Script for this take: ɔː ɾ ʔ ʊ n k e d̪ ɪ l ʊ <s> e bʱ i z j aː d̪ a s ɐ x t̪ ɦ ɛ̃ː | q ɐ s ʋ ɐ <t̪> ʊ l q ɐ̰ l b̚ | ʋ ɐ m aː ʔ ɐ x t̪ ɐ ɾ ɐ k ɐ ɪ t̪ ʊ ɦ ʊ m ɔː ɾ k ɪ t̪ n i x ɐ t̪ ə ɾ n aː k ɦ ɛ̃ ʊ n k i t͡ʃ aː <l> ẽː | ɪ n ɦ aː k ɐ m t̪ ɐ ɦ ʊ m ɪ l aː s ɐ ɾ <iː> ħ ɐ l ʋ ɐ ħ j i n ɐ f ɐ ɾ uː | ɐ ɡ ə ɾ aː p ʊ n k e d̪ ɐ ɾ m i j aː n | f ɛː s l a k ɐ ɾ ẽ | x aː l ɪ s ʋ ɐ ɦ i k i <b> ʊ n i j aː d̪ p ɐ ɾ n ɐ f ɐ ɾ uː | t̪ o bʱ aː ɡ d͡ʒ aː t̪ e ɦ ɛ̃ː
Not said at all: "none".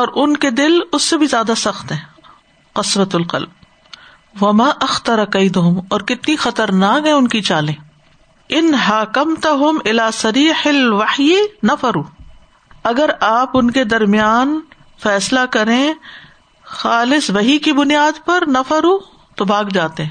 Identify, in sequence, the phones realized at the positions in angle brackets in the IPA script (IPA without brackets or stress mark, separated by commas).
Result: sː, t̪, l, iː, b